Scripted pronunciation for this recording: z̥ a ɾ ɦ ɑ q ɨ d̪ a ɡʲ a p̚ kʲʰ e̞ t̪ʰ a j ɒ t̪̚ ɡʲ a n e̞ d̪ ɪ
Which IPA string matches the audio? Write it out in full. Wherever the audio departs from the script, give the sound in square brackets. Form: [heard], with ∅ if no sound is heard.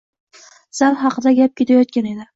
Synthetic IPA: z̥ a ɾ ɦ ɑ q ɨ d̪ a ɡʲ a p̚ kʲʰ e̞ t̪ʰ a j ɒ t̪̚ [kʲ] a n e̞ d̪ ɪ